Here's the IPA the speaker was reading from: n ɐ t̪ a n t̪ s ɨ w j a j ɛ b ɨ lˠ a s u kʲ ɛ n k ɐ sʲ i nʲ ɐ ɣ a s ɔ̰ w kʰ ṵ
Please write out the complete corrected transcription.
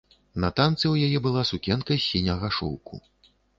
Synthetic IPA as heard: n ɐ t̪ a n t̪ s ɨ w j a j ɛ b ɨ lˠ a s u kʲ ɛ n k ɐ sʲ i nʲ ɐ ɣ a ʂ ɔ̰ w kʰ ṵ